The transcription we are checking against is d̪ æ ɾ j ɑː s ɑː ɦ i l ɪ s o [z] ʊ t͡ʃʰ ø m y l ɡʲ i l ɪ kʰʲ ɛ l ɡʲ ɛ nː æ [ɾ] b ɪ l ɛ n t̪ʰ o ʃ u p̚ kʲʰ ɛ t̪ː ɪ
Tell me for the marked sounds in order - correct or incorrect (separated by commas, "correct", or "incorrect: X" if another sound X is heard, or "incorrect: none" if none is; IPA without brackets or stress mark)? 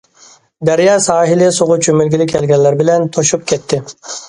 incorrect: ʁ, correct